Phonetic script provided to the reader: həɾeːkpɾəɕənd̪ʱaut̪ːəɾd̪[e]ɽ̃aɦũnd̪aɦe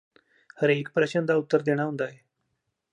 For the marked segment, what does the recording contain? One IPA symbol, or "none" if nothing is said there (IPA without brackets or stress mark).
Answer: e